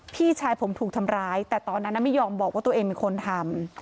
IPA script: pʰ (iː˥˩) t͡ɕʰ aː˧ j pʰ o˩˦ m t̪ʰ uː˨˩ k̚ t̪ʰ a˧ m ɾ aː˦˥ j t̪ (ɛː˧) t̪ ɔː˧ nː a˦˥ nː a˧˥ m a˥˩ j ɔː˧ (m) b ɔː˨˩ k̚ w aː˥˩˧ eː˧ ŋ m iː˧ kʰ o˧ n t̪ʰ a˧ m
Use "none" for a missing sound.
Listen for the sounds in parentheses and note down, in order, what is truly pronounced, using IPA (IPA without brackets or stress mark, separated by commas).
iː˥˩, ɛː˨˩, m